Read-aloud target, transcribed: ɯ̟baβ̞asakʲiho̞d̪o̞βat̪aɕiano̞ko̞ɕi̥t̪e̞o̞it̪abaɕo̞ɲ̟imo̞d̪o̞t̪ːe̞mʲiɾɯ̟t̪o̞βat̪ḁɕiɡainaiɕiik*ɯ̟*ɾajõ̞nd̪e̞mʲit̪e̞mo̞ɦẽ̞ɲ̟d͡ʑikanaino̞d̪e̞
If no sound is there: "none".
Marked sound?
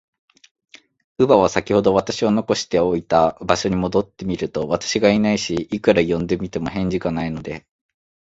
ɯ̟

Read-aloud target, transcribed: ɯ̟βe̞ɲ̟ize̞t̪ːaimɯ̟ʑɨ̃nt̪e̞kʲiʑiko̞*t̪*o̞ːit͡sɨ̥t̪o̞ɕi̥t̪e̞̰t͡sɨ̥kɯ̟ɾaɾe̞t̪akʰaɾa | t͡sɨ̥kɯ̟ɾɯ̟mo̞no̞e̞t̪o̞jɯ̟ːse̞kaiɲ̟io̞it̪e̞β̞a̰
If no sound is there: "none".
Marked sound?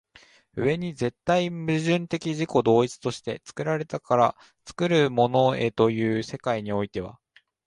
d̪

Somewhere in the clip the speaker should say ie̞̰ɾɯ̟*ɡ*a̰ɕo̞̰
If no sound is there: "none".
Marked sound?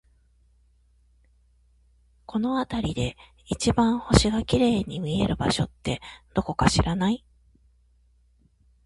b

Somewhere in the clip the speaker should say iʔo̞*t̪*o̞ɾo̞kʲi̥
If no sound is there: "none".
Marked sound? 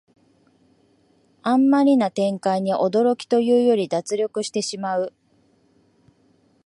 d̪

